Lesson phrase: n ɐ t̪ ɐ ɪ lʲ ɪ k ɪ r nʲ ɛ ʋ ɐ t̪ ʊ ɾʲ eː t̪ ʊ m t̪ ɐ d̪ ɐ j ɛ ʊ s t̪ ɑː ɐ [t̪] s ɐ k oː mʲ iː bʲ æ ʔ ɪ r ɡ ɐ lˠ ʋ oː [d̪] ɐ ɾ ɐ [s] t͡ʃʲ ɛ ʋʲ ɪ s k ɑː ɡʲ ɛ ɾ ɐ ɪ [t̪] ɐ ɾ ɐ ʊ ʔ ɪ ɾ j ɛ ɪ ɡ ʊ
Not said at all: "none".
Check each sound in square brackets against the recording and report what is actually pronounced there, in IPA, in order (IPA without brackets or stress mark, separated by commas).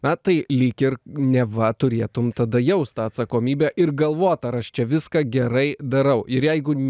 t̪, t̪, ʃ, d̪